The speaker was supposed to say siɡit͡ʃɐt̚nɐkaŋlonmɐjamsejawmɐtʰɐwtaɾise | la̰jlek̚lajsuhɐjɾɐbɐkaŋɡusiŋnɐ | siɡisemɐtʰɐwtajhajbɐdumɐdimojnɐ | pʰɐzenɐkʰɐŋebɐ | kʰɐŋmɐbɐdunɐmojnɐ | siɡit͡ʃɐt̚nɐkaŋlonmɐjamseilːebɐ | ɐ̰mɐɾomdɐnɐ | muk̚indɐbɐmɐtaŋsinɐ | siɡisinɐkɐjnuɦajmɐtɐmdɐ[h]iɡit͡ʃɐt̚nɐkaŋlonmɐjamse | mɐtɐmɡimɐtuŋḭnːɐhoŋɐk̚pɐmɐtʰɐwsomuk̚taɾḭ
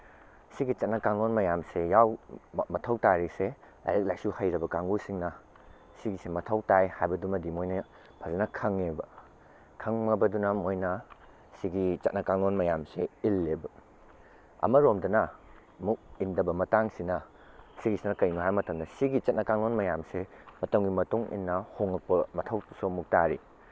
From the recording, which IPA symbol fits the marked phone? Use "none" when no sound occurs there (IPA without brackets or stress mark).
s